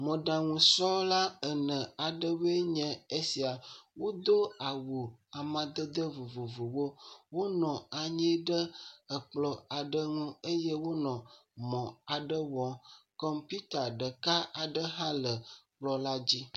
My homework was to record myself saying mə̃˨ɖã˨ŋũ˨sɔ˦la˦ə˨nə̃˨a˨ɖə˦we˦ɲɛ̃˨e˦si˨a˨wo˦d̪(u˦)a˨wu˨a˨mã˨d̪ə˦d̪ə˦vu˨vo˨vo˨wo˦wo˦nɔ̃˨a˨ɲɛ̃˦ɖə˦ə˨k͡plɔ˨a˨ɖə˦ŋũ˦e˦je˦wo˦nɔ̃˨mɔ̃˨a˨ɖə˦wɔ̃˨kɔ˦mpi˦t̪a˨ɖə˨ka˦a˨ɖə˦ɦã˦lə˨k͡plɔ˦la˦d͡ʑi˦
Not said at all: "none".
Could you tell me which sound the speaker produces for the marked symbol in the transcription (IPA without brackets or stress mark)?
o˦